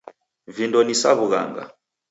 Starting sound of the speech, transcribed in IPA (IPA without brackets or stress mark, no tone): v